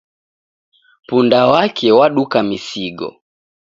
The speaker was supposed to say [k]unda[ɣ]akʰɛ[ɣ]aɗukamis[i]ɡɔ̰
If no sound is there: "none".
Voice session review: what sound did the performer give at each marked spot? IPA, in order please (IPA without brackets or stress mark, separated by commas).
p, w, w, i